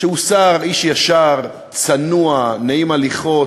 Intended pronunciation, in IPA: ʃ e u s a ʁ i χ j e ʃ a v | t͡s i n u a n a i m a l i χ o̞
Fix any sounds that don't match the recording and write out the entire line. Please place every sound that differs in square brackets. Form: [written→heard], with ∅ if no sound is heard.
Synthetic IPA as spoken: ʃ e u s a ʁ i [χ→ʃ] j [e→a] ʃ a [v→ʁ] | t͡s [i→a] n u a n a i m a l i χ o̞